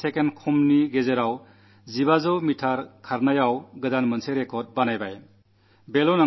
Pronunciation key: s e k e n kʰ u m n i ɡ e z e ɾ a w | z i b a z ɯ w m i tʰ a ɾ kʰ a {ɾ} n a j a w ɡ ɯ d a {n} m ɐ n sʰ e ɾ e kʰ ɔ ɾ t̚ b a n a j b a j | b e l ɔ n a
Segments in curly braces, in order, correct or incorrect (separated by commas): correct, correct